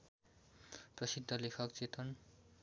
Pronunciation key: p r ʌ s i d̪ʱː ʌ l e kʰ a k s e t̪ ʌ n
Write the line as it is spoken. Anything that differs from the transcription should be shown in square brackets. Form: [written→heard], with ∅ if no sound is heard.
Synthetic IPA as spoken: p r ʌ s i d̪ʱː ʌ l e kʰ [a→ʌ] k [s→t͡s] e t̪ ʌ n